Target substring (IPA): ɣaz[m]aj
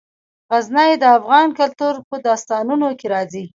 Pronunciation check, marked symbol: incorrect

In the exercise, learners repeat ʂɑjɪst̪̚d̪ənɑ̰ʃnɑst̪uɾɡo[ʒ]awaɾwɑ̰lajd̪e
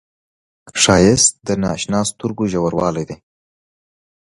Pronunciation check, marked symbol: correct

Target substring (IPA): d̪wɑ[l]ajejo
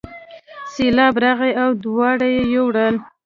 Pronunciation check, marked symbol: incorrect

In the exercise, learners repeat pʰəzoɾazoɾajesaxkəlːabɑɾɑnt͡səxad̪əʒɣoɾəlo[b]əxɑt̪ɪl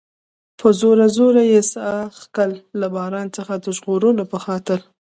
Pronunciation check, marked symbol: incorrect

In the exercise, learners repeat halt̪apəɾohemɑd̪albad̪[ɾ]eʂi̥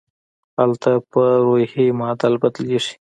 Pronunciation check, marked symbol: incorrect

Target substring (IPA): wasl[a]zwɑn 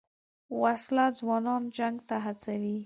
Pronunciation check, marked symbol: correct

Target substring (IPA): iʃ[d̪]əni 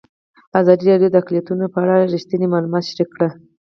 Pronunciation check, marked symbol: incorrect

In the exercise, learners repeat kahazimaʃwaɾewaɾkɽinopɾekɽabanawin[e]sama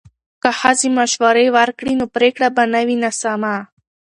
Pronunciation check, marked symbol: incorrect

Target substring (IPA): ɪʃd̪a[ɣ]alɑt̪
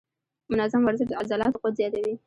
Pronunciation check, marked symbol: incorrect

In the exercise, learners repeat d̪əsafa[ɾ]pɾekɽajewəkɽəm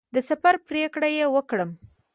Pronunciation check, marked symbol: correct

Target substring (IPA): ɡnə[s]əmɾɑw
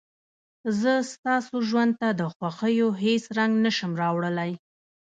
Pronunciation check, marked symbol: incorrect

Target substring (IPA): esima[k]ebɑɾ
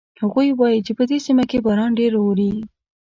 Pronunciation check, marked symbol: correct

